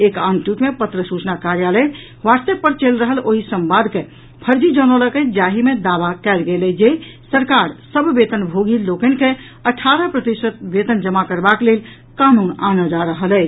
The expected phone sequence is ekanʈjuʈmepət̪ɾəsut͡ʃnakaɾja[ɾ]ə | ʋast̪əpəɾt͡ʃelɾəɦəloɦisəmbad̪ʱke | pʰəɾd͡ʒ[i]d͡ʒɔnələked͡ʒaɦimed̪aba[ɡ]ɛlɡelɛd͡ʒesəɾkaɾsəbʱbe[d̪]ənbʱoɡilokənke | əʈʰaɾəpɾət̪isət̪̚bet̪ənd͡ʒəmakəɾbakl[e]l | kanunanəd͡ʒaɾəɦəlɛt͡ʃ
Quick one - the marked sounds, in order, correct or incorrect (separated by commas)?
incorrect, correct, incorrect, incorrect, correct